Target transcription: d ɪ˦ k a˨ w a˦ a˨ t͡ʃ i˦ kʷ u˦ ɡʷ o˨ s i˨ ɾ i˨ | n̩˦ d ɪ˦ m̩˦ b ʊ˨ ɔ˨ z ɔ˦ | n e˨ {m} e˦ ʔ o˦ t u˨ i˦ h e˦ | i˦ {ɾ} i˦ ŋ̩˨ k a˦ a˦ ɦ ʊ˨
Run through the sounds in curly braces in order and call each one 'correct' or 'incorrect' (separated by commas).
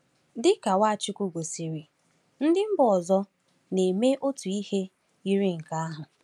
correct, correct